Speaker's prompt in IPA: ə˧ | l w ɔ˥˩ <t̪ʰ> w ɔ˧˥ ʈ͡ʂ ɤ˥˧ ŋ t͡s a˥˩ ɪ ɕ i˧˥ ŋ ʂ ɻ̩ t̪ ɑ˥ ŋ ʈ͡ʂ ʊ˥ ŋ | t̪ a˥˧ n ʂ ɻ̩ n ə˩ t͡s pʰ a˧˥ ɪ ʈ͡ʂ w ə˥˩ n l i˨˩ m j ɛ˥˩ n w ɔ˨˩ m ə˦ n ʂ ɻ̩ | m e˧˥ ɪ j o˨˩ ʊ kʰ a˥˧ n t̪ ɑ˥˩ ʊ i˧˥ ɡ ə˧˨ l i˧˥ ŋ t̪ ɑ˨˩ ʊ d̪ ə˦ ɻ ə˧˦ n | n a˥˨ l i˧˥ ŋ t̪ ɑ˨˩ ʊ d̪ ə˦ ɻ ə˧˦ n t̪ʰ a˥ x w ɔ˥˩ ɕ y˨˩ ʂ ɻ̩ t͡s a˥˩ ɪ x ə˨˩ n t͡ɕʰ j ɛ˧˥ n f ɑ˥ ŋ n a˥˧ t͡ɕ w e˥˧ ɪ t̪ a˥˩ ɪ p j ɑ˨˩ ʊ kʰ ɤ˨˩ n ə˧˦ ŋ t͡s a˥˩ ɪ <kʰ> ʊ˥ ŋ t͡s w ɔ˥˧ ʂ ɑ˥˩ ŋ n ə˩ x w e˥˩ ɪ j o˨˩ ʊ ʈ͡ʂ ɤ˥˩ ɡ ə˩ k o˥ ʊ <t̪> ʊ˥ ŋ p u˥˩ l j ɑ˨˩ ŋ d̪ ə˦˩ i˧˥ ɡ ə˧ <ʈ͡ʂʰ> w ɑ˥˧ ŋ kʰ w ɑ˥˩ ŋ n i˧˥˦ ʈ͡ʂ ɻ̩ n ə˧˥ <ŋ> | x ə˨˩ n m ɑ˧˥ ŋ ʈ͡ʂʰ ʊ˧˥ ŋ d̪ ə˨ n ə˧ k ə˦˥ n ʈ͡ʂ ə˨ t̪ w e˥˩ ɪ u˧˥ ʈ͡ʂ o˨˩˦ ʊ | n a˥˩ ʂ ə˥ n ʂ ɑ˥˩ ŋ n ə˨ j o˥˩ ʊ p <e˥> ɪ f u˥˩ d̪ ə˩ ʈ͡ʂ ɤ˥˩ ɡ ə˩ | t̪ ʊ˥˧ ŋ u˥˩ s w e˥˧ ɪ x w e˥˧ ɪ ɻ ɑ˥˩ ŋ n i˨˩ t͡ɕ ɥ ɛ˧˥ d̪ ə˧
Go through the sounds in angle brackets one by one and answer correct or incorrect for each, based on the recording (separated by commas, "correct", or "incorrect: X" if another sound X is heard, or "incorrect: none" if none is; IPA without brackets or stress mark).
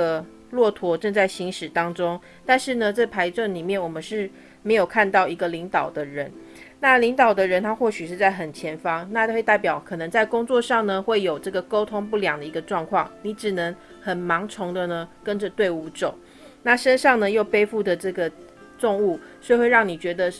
correct, incorrect: k, incorrect: t̪ʰ, incorrect: ʈ͡ʂ, correct, correct